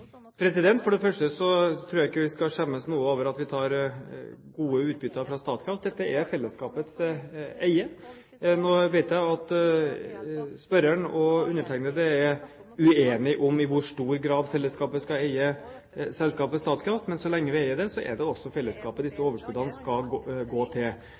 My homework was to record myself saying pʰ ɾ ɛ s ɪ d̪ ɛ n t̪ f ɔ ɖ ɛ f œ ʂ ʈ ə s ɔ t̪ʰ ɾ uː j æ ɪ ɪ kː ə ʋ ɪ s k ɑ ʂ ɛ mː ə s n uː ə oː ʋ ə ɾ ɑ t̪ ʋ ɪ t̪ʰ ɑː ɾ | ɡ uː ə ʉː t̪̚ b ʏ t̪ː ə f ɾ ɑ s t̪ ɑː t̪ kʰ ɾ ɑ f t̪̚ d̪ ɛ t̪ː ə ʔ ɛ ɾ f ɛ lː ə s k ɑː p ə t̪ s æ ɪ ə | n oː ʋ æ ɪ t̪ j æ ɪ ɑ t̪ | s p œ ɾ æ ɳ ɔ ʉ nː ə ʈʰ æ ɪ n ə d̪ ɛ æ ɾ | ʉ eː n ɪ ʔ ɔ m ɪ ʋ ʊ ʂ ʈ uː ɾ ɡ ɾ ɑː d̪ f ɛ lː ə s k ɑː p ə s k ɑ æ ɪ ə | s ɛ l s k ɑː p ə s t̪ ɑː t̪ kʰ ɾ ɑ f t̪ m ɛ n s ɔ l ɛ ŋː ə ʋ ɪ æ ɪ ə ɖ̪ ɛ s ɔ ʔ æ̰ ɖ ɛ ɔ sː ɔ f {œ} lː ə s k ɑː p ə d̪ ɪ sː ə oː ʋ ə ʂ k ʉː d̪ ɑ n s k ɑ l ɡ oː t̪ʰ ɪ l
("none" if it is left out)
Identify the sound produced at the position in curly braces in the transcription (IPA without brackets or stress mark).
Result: ɛ